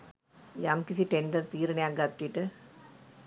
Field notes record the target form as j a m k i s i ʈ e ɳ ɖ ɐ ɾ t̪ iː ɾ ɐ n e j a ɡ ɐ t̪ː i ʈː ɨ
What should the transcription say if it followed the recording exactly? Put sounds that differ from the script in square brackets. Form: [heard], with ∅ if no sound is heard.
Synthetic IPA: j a m k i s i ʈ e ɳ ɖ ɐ ɾ t̪ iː ɾ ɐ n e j a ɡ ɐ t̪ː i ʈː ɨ